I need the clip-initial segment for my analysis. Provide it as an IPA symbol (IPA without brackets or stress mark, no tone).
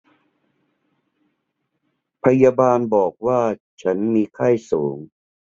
pʰ